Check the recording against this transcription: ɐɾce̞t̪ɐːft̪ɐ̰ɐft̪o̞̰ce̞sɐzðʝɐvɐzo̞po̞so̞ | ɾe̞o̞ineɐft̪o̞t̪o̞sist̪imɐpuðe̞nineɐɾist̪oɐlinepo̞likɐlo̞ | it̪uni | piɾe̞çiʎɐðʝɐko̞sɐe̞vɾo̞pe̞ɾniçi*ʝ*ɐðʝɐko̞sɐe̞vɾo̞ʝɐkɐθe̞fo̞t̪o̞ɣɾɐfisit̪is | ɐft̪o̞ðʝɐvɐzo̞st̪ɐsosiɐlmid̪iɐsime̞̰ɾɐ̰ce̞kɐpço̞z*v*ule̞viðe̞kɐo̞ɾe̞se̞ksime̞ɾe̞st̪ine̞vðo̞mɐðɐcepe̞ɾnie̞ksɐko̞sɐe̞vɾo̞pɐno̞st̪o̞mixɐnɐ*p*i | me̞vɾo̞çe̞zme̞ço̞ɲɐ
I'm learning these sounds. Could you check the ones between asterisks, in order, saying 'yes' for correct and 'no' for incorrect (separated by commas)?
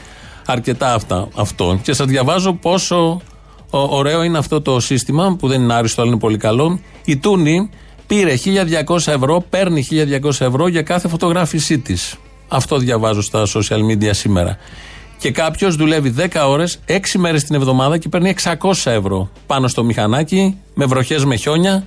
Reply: no, no, no